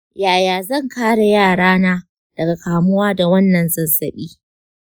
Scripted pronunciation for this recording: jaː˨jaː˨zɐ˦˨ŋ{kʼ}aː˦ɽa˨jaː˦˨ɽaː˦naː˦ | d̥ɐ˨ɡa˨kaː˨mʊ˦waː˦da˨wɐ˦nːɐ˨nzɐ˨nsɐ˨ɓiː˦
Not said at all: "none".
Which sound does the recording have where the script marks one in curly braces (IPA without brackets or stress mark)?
k